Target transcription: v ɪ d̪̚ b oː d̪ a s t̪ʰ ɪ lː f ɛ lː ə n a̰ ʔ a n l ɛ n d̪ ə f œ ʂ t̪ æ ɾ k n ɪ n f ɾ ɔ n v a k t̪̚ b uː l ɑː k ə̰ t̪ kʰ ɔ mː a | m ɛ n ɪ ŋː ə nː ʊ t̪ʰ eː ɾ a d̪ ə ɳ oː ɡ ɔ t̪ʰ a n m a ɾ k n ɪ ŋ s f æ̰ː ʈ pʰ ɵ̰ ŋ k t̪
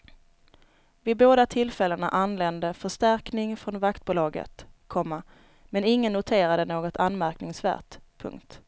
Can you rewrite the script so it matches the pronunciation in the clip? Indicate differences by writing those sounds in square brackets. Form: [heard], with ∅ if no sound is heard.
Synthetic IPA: v ɪ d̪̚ b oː d̪ a [∅] t̪ʰ ɪ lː f ɛ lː ə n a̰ ʔ a n l ɛ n d̪ ə f œ ʂ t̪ æ ɾ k n ɪ [ŋ] f ɾ ɔ n v a k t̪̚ b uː l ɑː [ɡ] ə̰ t̪ kʰ ɔ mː a | m ɛ n ɪ ŋː ə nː ʊ t̪ʰ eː ɾ a d̪ ə [n] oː ɡ ɔ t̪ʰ a n m [æ] ɾ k n ɪ ŋ s [v] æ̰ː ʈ pʰ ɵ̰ ŋ k t̪